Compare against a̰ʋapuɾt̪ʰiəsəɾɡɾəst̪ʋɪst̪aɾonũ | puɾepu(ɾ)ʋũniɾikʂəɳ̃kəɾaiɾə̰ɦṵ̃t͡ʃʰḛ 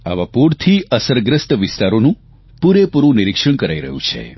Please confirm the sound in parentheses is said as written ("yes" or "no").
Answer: yes